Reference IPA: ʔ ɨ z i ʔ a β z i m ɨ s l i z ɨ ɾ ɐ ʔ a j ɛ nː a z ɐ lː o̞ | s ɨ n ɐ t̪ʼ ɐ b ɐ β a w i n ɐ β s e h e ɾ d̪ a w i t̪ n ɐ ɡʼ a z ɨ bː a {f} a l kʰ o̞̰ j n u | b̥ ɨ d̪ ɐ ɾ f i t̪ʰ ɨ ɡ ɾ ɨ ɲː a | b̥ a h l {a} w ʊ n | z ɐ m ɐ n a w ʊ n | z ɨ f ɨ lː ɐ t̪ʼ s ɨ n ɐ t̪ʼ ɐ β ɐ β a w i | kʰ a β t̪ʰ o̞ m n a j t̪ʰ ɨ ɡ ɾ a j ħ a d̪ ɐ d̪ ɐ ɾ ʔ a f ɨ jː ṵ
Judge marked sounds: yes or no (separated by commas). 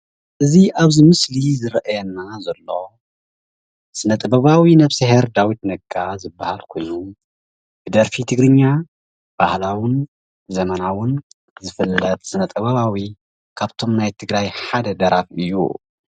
no, yes